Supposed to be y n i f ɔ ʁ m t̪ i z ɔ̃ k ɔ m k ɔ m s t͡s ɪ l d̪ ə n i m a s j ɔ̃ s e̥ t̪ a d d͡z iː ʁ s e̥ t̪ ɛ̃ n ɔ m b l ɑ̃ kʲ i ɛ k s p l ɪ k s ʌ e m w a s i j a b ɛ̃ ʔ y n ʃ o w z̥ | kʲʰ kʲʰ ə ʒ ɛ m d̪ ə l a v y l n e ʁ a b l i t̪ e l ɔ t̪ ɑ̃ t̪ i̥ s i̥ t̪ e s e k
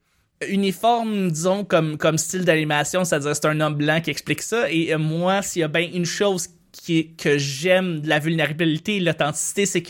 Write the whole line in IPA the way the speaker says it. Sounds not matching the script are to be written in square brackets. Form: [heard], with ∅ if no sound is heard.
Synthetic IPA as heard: y n i f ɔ ʁ m [d̪] i z ɔ̃ k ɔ m k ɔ m s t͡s ɪ l d̪ [a] n i m a s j ɔ̃ s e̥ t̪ a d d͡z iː ʁ s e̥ t̪ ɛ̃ n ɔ m b l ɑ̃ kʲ i ɛ k s p l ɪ k s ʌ e m w a s i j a b ɛ̃ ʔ y n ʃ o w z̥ | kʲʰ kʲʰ ə ʒ ɛ m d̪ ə l a v y l n e ʁ a b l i t̪ e l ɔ t̪ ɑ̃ t̪ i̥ s i̥ t̪ e s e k